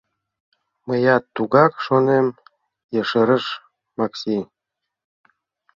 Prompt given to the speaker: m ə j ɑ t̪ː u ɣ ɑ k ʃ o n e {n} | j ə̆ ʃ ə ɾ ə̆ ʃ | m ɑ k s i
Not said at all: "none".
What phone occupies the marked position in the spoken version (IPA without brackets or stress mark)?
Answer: m